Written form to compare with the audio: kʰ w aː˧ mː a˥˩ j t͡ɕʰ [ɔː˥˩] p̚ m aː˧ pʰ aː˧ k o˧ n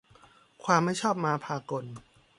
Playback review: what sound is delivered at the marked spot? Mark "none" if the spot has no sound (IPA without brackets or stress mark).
ɔː˥˩